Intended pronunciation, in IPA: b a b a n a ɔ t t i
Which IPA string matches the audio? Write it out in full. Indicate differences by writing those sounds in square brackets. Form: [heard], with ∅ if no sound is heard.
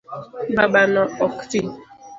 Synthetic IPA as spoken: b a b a n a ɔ [k] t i